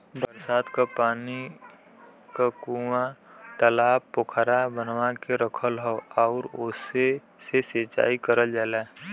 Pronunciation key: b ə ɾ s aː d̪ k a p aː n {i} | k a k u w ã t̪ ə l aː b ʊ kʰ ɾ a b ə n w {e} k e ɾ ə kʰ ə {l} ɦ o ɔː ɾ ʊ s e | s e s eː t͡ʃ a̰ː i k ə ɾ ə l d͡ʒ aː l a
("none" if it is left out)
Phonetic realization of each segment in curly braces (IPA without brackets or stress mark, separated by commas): i, a, l